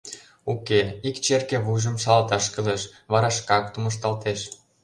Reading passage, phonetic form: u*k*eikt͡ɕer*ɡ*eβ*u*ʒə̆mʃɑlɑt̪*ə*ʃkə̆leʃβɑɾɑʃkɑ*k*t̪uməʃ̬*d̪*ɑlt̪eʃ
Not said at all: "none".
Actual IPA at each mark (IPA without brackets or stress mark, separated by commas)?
k, k, u, ɑ, k, t̪